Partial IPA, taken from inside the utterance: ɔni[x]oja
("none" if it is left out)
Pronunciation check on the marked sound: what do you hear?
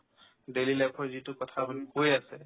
k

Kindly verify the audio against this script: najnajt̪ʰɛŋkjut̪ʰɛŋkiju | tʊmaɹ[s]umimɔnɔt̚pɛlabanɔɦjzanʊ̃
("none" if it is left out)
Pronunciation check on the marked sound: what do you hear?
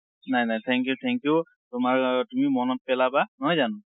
t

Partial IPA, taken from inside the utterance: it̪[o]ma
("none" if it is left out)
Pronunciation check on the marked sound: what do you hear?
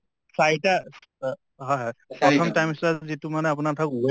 u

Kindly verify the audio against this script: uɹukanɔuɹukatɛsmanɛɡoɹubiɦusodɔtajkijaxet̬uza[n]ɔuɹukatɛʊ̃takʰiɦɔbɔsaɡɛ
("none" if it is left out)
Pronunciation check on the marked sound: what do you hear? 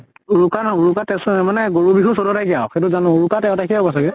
n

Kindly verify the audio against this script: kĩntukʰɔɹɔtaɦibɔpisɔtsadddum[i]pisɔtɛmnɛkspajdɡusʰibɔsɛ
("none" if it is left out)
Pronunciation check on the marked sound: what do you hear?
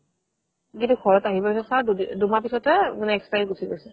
a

